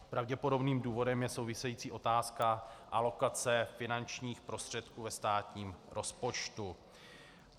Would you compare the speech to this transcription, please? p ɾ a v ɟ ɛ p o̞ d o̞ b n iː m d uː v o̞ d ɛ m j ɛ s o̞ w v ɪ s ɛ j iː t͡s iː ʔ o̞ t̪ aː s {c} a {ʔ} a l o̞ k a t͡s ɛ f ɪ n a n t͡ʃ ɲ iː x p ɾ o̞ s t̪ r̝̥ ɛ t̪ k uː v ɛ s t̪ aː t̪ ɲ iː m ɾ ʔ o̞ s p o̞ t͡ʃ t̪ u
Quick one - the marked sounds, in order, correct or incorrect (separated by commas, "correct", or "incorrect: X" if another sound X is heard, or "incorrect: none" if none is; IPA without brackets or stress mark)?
incorrect: k, correct